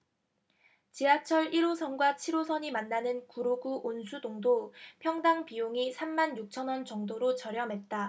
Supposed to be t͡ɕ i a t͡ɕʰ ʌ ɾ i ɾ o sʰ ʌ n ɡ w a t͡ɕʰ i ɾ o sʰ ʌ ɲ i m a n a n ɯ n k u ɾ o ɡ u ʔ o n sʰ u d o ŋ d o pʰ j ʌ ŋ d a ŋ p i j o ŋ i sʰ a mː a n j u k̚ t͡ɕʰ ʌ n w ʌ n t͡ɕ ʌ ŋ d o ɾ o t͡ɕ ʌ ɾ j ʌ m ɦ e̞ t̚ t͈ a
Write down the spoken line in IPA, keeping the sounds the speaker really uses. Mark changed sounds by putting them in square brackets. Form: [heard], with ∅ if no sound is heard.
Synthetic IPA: t͡ɕ i a t͡ɕʰ ʌ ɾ i ɾ o sʰ ʌ n ɡ w a t͡ɕʰ i ɾ o sʰ ʌ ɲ i m a [nː] a n ɯ n k u ɾ o ɡ u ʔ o n sʰ u d o ŋ d o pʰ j ʌ ŋ d a ŋ p i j o ŋ i sʰ a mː a n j u k̚ t͡ɕʰ ʌ n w ʌ n t͡ɕ ʌ ŋ d o ɾ o t͡ɕ ʌ ɾ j ʌ m ɦ e̞ t̚ t͈ a